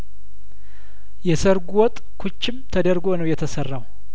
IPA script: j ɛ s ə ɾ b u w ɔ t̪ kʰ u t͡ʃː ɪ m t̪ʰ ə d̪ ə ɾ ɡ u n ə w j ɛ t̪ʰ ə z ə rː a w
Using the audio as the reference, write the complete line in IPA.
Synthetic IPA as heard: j ɛ s ə ɾ ɡ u w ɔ t̪ʼ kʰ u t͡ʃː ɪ m t̪ʰ ə d̪ ə ɾ ɡ o n ə w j ɛ t̪ʰ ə s ə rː a w